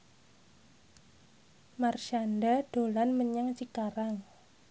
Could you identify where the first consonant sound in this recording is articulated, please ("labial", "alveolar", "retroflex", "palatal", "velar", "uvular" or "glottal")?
labial